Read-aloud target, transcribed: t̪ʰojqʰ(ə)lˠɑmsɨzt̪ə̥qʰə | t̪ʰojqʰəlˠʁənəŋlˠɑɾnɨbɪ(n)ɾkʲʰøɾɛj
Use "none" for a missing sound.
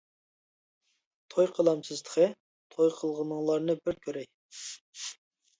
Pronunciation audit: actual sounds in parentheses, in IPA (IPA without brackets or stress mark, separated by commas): ə, none